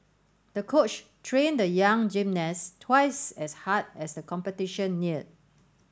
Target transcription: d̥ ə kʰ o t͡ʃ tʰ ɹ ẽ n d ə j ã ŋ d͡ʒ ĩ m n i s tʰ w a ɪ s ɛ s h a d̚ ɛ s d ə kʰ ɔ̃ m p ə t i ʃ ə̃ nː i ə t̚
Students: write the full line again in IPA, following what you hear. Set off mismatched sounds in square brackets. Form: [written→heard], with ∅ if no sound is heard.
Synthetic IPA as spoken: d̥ ə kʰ o t͡ʃ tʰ ɹ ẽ n d ə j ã ŋ d͡ʒ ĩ m n [i→ɛ] s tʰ w a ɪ s ɛ s h a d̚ ɛ s d ə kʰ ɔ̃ m p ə t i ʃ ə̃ nː i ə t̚